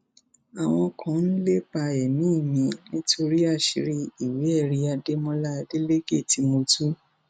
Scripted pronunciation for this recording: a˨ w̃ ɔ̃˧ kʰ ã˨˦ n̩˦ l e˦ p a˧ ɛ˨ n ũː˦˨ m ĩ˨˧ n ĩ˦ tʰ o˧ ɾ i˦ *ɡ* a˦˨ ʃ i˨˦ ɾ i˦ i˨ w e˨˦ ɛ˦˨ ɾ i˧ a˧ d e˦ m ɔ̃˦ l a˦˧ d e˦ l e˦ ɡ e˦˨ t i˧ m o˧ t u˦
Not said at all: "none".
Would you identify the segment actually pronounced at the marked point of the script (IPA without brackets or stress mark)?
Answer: none